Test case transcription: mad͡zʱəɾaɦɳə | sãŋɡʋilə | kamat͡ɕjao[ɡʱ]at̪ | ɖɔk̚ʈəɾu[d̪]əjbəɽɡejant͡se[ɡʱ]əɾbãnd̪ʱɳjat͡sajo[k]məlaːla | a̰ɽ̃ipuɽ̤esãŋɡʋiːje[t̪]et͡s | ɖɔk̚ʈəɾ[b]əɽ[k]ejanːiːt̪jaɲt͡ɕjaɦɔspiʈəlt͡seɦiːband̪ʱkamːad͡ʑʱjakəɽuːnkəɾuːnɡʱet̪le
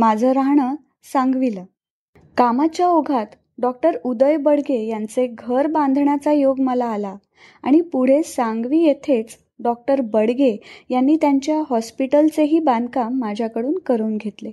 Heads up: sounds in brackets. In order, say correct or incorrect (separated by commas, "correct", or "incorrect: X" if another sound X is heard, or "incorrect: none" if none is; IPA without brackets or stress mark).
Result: correct, correct, correct, incorrect: ɡ, incorrect: t̪ʰ, correct, incorrect: ɡ